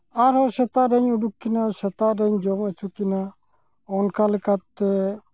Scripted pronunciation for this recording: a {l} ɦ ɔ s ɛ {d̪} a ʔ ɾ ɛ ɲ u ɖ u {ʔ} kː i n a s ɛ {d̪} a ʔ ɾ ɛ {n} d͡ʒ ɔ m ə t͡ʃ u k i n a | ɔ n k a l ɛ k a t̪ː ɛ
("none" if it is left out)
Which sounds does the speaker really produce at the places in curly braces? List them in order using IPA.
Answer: ɾ, t̪, none, t̪, ɲ

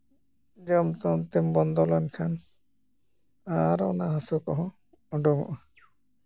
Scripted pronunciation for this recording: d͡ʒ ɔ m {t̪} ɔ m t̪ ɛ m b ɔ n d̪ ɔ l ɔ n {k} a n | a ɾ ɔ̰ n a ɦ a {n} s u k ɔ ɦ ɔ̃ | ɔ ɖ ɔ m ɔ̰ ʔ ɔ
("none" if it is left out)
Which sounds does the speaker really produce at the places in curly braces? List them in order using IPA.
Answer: t̪, kʰ, none

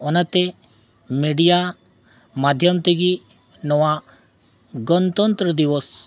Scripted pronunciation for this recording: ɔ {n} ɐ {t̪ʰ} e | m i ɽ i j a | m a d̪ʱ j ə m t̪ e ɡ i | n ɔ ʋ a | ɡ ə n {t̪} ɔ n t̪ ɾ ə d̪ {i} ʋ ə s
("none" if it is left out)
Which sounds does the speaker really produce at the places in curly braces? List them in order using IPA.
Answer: n, t̪, t̪, i

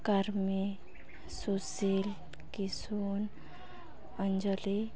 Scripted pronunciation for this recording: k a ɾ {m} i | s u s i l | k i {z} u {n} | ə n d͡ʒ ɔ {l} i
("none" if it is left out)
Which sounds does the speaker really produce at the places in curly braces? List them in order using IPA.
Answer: m, s, n, l

